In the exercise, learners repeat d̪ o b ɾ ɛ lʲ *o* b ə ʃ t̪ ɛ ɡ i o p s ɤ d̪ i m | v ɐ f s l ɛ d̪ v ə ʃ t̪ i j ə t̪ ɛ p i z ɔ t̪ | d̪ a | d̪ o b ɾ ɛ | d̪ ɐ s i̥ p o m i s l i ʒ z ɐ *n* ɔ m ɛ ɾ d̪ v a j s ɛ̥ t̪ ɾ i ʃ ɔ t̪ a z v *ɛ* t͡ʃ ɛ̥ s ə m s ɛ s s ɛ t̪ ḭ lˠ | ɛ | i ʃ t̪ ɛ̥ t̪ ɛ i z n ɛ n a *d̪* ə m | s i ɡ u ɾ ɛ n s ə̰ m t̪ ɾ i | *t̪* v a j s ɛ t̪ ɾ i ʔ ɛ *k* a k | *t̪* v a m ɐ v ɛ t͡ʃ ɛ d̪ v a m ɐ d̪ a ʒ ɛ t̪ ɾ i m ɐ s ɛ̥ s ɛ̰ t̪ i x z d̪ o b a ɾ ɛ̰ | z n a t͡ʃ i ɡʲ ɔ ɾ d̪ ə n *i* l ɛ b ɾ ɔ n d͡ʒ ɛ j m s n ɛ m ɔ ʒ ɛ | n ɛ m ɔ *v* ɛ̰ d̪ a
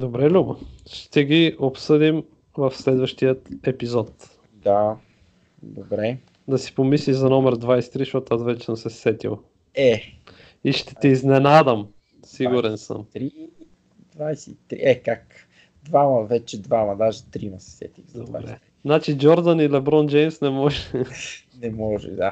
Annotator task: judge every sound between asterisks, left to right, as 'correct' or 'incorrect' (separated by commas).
incorrect, correct, correct, correct, incorrect, correct, incorrect, correct, incorrect